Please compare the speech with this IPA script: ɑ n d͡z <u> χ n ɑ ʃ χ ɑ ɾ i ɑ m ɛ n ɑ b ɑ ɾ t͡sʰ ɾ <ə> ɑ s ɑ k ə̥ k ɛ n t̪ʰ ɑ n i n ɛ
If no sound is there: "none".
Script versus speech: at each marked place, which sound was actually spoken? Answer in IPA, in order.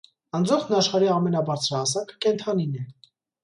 ɔ, ɑ

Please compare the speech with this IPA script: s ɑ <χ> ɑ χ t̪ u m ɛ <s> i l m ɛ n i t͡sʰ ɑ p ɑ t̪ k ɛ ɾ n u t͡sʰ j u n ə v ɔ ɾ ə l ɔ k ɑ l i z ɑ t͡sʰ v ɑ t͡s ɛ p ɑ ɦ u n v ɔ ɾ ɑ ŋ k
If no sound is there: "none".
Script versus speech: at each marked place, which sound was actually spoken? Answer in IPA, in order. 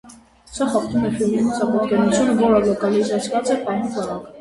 χ, f

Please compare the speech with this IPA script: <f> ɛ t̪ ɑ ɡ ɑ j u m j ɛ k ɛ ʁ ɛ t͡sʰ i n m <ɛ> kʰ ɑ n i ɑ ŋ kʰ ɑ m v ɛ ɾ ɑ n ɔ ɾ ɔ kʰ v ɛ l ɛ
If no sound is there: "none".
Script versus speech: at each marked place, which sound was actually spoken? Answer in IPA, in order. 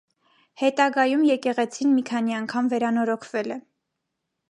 h, i

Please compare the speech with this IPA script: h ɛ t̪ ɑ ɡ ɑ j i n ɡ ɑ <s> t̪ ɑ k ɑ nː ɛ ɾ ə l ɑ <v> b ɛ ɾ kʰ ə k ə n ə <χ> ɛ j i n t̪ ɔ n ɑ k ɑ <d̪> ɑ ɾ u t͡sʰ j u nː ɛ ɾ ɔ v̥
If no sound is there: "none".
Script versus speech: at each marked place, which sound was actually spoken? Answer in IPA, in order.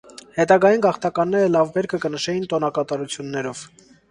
χ, v, ʃ, t̪

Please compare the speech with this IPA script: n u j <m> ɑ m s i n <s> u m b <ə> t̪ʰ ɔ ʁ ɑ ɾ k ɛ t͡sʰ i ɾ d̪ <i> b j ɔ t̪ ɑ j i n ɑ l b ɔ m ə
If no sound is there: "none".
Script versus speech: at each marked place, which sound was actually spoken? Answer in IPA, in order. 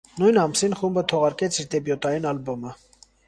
n, χ, ə, ɛ

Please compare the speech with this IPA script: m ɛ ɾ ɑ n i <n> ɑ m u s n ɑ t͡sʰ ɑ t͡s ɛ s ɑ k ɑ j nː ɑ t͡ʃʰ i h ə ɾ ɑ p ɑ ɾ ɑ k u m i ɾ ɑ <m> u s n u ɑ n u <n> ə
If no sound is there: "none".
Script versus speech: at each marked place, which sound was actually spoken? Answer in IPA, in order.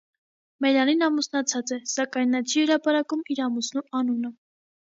n, m, n

